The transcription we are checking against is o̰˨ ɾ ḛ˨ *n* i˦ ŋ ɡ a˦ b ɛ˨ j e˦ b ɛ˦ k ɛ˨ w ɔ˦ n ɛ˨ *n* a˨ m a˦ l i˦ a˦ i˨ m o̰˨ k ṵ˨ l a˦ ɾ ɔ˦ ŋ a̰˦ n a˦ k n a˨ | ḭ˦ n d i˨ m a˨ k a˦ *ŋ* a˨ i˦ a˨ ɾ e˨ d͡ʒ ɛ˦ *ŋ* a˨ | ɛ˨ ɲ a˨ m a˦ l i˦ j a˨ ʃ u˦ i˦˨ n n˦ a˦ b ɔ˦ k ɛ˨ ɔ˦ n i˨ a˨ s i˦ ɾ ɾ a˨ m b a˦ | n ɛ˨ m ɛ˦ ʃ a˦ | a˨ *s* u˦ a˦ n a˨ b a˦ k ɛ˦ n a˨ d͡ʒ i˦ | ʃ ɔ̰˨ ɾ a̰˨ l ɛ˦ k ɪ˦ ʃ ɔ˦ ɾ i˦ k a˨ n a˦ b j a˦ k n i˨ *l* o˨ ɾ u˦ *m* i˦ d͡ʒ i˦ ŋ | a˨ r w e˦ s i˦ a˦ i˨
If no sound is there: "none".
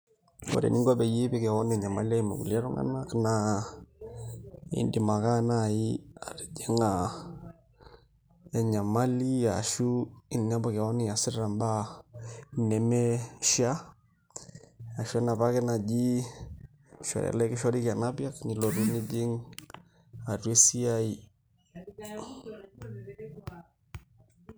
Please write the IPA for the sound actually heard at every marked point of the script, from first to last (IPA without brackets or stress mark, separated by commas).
n, ɲ, n, ŋ, ʃ, l, n